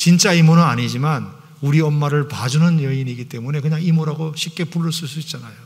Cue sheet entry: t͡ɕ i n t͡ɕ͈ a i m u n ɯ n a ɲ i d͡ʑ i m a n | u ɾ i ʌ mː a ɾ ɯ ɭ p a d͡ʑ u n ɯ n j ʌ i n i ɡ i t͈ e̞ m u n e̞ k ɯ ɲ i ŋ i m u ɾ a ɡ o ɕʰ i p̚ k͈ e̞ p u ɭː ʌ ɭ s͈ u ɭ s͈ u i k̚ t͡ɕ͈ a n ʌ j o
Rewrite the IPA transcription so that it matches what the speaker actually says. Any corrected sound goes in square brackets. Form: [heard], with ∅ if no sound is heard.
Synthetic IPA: t͡ɕ i n t͡ɕ͈ a i m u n ɯ n a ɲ i d͡ʑ i m a n | u ɾ i ʌ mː a ɾ ɯ ɭ p a d͡ʑ u n ɯ n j ʌ i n i ɡ i t͈ e̞ m u n e̞ k ɯ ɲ [a] ŋ i m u ɾ a ɡ o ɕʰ i p̚ k͈ e̞ p u ɭː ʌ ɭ s͈ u ɭ s͈ u i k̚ t͡ɕ͈ a n [a] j o

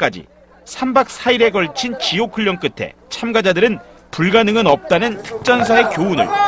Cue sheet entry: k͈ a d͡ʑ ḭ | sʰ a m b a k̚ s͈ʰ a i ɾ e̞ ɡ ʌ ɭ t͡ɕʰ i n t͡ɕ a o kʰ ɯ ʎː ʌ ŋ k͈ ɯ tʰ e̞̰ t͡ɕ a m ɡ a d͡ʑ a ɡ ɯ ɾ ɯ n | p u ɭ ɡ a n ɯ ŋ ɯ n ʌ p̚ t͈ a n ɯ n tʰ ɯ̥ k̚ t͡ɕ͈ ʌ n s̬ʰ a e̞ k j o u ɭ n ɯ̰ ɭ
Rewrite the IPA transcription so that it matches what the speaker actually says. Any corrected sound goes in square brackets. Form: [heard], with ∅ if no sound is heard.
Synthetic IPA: k͈ a d͡ʑ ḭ | sʰ a m b a k̚ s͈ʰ a i ɾ e̞ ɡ ʌ ɭ t͡ɕʰ i n t͡ɕ [i] o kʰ ɯ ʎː ʌ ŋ k͈ ɯ tʰ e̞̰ [t͡ɕʰ] a m ɡ a d͡ʑ a [d] ɯ ɾ ɯ n | p u ɭ ɡ a n ɯ ŋ ɯ n ʌ p̚ t͈ a n ɯ n tʰ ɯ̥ k̚ t͡ɕ͈ ʌ n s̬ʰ a e̞ k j o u [∅] n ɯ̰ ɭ

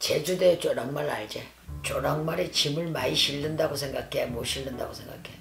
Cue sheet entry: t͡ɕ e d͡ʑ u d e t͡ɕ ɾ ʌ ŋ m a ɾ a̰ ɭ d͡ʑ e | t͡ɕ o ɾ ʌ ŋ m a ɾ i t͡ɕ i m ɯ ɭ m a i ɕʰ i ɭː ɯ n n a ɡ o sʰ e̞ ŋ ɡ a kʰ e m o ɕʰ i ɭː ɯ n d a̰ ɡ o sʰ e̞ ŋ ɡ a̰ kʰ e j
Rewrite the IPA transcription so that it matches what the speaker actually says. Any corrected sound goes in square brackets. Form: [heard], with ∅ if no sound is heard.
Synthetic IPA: t͡ɕ e d͡ʑ u d e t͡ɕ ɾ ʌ ŋ m a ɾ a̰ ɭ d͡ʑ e | t͡ɕ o ɾ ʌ ŋ m a ɾ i t͡ɕ i m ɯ ɭ m a i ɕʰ i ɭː ɯ n [d] a ɡ o sʰ e̞ ŋ ɡ a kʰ e m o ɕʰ i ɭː ɯ n d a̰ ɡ o sʰ e̞ ŋ ɡ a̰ kʰ e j

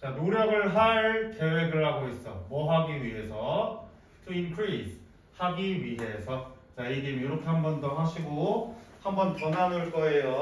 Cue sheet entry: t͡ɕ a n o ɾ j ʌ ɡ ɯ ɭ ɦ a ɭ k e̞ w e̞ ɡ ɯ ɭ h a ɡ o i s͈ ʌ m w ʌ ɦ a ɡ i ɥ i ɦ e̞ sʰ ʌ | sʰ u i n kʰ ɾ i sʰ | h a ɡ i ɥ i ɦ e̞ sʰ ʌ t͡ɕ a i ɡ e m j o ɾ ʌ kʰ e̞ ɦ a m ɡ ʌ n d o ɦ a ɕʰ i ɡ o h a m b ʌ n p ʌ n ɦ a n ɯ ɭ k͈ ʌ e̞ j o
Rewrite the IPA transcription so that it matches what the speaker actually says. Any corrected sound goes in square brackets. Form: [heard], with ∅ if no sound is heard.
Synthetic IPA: t͡ɕ a n o ɾ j ʌ ɡ ɯ ɭ ɦ a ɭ k e̞ w e̞ ɡ ɯ ɭ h a ɡ o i s͈ ʌ m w ʌ ɦ a ɡ i ɥ i ɦ e̞ sʰ ʌ | [tʰ] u i n kʰ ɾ i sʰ | h a ɡ i ɥ i ɦ e̞ sʰ ʌ t͡ɕ a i ɡ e m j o ɾ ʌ kʰ e̞ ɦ a m [b] ʌ n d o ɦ a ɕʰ i ɡ o h a m b ʌ n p ʌ n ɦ a n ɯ ɭ k͈ ʌ e̞ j o

